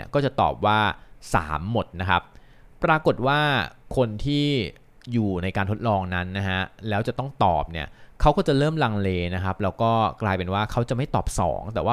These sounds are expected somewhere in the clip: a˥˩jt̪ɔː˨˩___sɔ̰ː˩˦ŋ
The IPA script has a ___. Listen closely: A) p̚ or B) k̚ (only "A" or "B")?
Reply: A